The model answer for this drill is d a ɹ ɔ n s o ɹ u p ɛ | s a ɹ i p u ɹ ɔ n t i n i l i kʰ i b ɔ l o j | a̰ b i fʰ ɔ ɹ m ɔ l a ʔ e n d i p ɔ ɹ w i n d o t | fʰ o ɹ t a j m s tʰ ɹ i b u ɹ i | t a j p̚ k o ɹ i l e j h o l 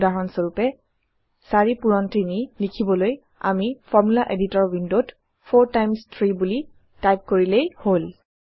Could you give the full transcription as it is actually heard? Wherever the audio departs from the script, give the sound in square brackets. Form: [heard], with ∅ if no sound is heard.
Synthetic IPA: d a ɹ ɔ n s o ɹ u p ɛ | s a ɹ i p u ɹ ɔ n t i n i l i kʰ i b ɔ l o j | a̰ [m] i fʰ ɔ ɹ m [u] l a ʔ e [∅] d i [t] ɔ ɹ w i n d o t | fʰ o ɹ t a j m s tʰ ɹ i b u [l] i | t a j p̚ k o ɹ i l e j h o l